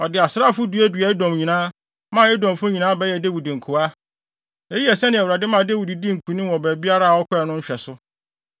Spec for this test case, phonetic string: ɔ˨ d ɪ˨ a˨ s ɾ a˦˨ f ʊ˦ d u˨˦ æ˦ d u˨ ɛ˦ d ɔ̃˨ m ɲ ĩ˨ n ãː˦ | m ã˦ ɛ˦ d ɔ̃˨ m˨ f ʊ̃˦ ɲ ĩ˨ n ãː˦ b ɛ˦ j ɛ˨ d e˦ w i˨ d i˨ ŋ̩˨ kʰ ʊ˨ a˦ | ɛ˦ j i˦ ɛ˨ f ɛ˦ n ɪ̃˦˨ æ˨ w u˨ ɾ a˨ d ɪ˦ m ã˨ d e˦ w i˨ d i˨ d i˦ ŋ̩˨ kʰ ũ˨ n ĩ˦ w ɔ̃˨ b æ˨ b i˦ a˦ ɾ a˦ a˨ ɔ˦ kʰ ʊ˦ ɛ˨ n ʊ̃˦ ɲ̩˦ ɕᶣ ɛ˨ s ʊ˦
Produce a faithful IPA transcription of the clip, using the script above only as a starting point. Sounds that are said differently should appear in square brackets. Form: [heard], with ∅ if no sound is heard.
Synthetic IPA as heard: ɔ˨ d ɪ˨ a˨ s ɾ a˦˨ f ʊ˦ d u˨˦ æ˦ d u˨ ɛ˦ d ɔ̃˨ m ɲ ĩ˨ n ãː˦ | m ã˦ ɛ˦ d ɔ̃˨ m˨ f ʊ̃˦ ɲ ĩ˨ n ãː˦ b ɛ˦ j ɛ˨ d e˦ w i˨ d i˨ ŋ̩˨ kʰ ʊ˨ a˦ | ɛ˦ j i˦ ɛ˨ [s] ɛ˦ n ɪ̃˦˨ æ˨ w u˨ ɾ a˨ d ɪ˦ m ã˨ d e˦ w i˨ d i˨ d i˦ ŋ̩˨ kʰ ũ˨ n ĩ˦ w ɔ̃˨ b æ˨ b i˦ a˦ ɾ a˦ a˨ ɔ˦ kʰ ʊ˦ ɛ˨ n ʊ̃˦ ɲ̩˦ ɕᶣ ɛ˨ s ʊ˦